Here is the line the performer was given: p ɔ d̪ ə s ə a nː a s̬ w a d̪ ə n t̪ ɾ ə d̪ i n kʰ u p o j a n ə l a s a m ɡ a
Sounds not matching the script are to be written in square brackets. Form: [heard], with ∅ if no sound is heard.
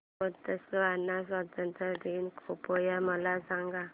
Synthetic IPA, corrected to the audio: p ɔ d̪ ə s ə a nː a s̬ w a [t̪] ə n t̪ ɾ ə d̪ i n kʰ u p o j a [m] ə l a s a [ŋ] ɡ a